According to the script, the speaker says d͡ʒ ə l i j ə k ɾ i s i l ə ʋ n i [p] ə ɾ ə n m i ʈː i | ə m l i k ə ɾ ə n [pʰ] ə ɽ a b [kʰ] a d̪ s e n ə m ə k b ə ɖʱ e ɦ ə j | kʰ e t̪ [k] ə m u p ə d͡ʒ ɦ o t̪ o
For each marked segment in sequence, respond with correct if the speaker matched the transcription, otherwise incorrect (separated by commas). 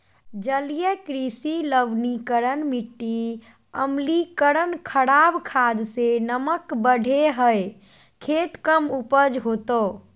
incorrect, incorrect, correct, correct